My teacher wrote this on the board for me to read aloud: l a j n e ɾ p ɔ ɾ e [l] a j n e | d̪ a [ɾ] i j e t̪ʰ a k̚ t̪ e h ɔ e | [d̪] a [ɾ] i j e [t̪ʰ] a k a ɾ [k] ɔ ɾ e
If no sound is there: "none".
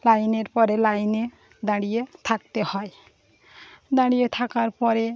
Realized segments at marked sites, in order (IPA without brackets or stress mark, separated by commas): l, ɽ, d̪, ɽ, t̪ʰ, p